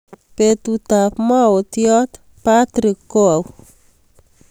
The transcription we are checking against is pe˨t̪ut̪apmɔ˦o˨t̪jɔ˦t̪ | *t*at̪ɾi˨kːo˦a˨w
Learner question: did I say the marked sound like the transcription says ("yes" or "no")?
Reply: no